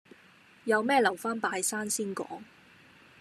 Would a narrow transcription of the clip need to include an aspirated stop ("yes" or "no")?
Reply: no